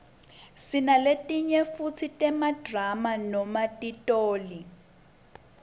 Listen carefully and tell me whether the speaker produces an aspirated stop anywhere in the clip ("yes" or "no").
yes